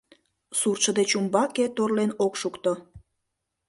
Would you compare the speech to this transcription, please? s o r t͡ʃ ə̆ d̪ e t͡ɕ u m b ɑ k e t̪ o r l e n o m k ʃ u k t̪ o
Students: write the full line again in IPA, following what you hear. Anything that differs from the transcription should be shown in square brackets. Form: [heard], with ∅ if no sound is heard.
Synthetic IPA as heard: s [u] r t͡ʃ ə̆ d̪ e t͡ɕ u m b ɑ k e t̪ o r l e n o [∅] k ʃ u k t̪ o